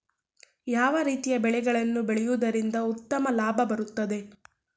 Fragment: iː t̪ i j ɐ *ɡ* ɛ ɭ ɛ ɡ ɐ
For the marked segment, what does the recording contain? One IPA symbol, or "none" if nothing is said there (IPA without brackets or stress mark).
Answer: b